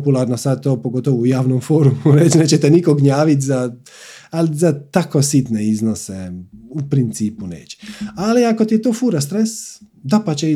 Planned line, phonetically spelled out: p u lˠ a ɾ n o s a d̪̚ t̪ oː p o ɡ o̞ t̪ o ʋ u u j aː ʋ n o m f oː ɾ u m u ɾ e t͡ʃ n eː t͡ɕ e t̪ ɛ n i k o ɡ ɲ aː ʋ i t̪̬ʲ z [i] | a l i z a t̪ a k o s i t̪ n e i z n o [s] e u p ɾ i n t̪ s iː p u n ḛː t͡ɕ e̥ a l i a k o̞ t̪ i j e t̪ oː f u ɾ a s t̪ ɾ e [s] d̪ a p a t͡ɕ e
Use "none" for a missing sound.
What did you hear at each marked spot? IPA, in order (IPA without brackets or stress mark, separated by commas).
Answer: a, s, s